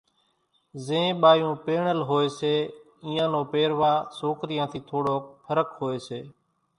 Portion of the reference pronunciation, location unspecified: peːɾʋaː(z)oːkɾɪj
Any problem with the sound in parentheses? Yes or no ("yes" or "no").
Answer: yes